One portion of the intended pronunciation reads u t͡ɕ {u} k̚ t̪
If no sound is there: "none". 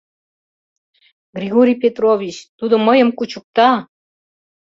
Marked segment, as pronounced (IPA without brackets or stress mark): u